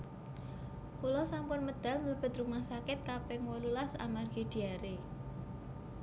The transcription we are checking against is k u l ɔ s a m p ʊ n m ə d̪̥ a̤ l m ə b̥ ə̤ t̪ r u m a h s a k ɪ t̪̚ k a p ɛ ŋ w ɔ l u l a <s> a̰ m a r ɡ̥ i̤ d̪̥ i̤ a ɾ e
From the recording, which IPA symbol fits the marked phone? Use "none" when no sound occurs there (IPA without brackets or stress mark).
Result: s